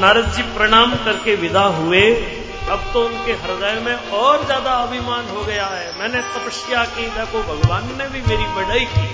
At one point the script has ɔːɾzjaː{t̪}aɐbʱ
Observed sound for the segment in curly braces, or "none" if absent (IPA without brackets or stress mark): d̪